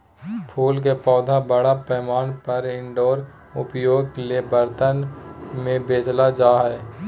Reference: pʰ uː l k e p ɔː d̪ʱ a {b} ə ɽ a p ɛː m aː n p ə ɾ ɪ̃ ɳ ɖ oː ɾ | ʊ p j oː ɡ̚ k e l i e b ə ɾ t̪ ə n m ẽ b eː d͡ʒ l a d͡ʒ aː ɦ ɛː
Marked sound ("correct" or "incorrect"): correct